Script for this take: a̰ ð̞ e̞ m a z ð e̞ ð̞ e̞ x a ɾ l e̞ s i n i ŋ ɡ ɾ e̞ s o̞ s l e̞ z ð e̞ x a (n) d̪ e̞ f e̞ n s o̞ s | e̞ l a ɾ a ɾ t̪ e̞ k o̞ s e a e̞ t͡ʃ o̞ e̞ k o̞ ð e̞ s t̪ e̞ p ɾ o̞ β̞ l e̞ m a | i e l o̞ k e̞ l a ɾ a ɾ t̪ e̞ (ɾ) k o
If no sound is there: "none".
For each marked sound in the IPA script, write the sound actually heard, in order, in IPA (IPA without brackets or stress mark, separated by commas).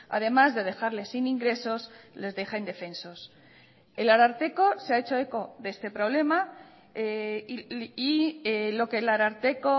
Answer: n, none